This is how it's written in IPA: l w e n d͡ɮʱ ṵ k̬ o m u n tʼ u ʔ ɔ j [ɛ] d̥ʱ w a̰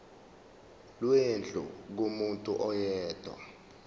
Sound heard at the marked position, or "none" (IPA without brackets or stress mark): ɛː